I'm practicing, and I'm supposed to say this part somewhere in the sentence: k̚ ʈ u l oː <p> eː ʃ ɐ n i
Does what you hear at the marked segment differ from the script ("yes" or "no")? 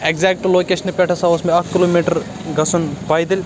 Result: yes